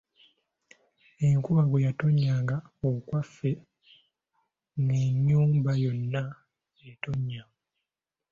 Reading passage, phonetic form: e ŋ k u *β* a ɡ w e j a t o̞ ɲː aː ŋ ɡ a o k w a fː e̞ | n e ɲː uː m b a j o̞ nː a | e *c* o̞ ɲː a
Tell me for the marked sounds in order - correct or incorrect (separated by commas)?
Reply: correct, incorrect